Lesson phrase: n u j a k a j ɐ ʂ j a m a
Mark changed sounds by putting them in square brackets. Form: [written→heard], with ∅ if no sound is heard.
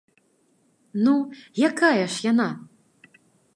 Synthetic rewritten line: n u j a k a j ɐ ʂ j a [m→n] a

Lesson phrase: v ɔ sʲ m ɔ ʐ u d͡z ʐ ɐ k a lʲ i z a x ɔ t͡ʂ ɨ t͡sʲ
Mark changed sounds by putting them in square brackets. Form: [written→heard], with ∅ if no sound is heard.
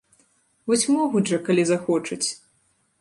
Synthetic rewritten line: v ɔ sʲ m ɔ [ʐ→ɣ] u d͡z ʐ ɐ k a lʲ i z a x ɔ t͡ʂ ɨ t͡sʲ

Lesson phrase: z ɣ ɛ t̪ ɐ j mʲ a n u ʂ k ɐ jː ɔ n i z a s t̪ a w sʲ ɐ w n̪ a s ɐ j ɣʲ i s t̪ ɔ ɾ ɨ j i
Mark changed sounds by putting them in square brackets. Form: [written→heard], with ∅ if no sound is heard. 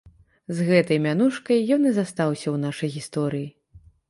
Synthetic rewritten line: z ɣ ɛ t̪ ɐ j mʲ a n u ʂ k ɐ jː ɔ n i z a s t̪ a w sʲ ɐ w n̪ a [s→ʂ] ɐ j ɣʲ i s t̪ ɔ ɾ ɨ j i

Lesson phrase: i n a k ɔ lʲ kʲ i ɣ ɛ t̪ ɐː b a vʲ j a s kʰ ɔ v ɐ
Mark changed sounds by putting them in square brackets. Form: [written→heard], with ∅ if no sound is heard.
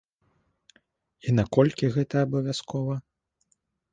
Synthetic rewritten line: i n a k ɔ lʲ kʲ i ɣ ɛ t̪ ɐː b [a→ɐ] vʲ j a s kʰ ɔ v ɐ

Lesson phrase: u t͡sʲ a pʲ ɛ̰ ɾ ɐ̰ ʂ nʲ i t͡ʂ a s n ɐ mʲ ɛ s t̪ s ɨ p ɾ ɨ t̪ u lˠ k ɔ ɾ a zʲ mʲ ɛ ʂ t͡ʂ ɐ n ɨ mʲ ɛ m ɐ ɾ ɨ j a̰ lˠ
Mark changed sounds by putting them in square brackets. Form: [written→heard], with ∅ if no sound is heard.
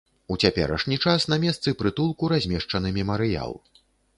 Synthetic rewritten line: u t͡sʲ a pʲ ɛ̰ ɾ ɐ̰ ʂ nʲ i t͡ʂ a s n ɐ mʲ ɛ s t̪ s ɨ p ɾ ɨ t̪ u lˠ k [ɔ→u] ɾ a zʲ mʲ ɛ ʂ t͡ʂ ɐ n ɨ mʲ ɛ m ɐ ɾ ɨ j a̰ lˠ

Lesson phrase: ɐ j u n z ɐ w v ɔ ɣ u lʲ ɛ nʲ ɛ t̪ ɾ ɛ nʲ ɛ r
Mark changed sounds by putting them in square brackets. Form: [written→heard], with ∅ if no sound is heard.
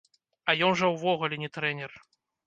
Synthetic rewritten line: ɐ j [u→ɔ] n [z→ʐ] ɐ w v ɔ ɣ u lʲ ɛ nʲ ɛ t̪ ɾ ɛ nʲ ɛ r

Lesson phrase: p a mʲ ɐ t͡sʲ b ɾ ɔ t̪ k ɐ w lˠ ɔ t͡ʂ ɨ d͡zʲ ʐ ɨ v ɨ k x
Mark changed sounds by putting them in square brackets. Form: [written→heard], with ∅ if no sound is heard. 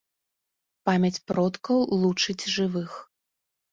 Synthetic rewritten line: p a mʲ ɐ t͡sʲ [b→p] ɾ ɔ t̪ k ɐ w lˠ [ɔ→u] t͡ʂ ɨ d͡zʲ ʐ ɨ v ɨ [k→∅] x

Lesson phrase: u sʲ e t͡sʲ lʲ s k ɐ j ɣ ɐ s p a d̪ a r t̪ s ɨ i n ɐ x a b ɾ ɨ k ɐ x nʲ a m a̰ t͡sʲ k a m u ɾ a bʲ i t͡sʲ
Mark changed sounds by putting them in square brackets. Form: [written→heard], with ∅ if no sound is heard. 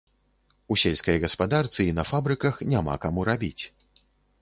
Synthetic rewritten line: u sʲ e [t͡sʲ→∅] lʲ s k ɐ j ɣ ɐ s p a d̪ a r t̪ s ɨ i n ɐ [x→f] a b ɾ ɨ k ɐ x nʲ a m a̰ [t͡sʲ→∅] k a m u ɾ a bʲ i t͡sʲ

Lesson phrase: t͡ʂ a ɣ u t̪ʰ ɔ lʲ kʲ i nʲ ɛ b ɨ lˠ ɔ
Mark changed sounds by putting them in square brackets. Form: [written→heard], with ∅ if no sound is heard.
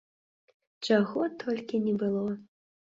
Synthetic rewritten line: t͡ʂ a ɣ [u→ɔ] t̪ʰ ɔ lʲ kʲ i nʲ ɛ b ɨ lˠ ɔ

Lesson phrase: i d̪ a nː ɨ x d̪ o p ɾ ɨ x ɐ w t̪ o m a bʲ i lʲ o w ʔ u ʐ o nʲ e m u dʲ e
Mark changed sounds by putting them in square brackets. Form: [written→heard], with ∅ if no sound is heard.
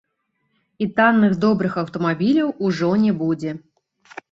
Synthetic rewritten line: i [d̪→t̪] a nː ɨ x d̪ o [p→b] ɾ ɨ x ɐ w t̪ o m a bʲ i lʲ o w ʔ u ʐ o nʲ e [m→b] u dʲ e

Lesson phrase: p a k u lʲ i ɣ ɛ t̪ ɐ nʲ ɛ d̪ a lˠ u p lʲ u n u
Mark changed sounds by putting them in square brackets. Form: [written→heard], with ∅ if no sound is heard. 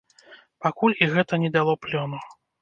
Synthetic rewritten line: p a k u lʲ i ɣ ɛ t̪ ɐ nʲ ɛ d̪ a lˠ [u→ɔ] p lʲ [u→ɔ] n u

